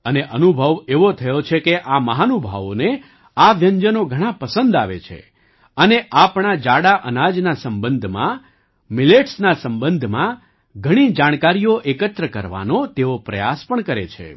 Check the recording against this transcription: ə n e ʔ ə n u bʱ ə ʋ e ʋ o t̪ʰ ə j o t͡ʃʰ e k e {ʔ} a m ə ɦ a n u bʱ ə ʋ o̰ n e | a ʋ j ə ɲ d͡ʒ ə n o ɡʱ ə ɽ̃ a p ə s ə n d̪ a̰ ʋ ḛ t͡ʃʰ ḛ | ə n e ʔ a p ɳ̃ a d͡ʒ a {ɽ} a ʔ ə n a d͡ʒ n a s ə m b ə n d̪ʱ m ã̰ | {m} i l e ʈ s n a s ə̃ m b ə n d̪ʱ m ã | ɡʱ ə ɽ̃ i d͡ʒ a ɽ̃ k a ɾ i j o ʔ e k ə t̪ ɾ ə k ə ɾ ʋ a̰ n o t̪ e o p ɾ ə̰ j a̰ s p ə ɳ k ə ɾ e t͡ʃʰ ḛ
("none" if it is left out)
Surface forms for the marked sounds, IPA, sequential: ʔ, ɽ, m

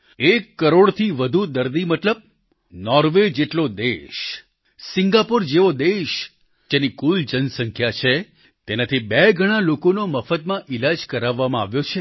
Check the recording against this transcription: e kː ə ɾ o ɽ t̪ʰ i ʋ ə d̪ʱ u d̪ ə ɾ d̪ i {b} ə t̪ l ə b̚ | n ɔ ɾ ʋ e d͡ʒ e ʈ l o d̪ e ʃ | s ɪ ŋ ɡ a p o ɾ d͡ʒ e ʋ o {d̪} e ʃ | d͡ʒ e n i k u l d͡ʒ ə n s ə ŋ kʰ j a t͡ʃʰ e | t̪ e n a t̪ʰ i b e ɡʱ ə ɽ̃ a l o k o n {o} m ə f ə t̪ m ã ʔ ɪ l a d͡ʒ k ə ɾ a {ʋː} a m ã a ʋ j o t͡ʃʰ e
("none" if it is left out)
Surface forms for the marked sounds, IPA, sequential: m, d̪, o, ʋː

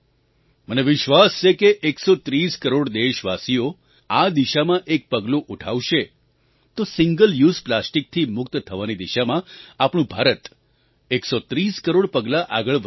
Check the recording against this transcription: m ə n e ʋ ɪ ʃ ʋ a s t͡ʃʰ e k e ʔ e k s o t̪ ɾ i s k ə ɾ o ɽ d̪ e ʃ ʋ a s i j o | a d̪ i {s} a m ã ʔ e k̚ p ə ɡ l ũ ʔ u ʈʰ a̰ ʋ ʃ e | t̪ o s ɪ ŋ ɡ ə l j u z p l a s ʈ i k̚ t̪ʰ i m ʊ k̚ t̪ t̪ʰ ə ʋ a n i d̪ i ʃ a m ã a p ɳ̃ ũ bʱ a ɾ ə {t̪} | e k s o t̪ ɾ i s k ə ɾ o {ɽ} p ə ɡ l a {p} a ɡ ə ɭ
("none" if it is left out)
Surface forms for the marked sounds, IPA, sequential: ʃ, t̪, ɽ, ʔ

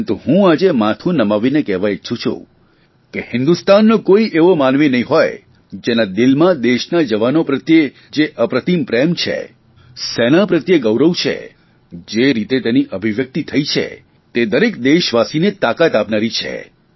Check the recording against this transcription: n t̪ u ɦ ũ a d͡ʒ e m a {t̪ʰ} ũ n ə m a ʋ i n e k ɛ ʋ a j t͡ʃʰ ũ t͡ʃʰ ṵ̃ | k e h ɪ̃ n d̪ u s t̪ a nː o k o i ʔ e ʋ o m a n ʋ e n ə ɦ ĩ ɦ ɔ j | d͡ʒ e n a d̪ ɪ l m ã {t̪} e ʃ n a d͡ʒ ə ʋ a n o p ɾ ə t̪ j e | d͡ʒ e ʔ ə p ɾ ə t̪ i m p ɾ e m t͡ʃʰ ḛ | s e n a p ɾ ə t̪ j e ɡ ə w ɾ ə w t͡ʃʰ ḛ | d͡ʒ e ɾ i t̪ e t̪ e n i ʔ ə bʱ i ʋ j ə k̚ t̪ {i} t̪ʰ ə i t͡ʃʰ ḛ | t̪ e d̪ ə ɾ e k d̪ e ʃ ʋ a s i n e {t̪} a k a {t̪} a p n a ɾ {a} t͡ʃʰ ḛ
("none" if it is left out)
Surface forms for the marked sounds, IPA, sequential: t̪ʰ, d̪, i, t̪, t̪, i

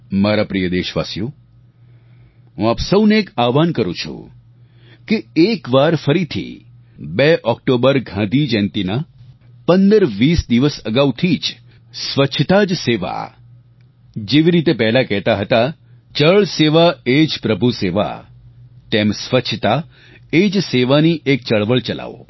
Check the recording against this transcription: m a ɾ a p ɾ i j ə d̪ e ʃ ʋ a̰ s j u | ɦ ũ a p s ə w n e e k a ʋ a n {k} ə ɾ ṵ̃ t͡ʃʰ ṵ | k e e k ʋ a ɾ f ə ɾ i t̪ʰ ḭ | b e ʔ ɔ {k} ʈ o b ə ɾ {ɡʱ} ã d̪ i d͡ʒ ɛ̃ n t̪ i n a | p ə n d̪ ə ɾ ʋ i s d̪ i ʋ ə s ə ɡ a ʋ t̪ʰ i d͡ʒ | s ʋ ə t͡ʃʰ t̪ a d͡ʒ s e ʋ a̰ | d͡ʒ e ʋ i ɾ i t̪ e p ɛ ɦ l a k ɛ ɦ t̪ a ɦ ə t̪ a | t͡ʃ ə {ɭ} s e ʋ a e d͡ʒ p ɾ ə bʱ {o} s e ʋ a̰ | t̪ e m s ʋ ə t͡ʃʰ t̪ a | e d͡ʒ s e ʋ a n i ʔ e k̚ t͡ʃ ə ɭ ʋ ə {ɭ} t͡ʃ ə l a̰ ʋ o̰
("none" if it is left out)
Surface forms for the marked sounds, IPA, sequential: k, k, ɡʱ, ɭ, u, ɭ

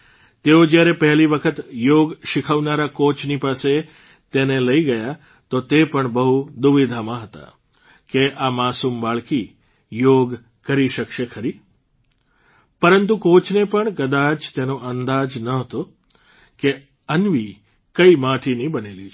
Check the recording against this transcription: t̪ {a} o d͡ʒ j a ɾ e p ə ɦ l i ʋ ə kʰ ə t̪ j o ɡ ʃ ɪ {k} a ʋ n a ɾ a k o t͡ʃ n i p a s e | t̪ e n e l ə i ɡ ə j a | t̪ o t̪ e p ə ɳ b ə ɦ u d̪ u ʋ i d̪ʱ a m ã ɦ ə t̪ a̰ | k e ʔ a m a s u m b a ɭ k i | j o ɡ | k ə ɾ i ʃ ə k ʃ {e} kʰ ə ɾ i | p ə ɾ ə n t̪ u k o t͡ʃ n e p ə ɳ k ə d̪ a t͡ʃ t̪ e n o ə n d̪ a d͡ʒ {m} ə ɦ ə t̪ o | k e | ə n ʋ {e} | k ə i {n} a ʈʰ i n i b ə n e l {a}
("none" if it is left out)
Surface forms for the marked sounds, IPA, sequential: e, kʰ, e, n, i, m, i

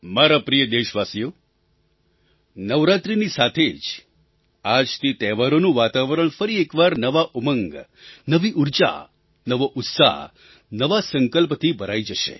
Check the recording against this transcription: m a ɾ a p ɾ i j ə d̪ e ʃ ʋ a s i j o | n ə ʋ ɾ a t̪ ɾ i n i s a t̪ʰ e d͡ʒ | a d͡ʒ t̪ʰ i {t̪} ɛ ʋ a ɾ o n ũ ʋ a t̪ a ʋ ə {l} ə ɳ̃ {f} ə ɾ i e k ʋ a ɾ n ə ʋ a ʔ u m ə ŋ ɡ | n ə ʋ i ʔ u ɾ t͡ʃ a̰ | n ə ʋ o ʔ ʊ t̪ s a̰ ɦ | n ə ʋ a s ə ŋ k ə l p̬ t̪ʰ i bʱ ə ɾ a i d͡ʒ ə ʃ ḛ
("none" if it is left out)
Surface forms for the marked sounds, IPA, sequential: t̪, ɾ, f

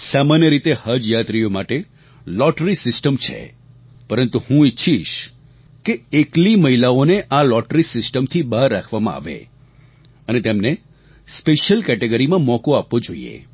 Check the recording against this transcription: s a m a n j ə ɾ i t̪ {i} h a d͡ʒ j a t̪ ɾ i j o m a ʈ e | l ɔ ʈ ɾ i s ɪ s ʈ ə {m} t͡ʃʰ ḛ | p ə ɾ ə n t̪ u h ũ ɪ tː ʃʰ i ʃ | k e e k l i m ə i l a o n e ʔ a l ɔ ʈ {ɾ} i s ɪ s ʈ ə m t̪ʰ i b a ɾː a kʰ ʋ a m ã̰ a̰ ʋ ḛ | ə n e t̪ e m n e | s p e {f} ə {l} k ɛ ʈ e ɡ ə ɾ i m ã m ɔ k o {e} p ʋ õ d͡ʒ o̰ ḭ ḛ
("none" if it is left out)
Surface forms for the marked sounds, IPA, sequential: e, m, ɾ, ʃ, l, a

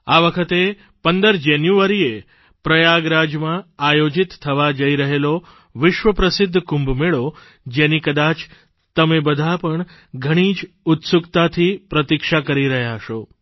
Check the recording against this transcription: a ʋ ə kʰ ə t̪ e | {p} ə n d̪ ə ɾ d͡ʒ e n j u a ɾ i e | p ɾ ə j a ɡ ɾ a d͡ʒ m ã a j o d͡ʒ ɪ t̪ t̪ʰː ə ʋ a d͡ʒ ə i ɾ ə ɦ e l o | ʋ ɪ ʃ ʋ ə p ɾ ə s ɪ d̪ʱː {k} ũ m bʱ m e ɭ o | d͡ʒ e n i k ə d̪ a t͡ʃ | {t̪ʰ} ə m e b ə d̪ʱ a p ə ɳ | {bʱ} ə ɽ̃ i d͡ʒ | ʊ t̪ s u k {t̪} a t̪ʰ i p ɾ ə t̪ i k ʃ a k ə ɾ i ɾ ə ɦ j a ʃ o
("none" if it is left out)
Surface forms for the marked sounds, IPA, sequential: p, k, t̪, ɡʱ, t̪

